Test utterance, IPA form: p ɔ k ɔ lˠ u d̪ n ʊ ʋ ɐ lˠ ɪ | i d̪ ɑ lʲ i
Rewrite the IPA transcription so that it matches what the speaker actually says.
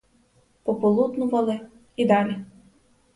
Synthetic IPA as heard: p ɔ p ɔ lˠ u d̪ n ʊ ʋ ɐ lˠ ɪ | i d̪ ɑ lʲ i